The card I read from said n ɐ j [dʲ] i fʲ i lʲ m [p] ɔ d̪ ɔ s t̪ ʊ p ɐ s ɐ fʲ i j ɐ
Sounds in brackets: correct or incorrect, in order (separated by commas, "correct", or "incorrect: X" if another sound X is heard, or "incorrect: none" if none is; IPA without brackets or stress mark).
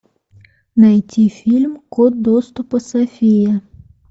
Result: incorrect: tʲ, incorrect: k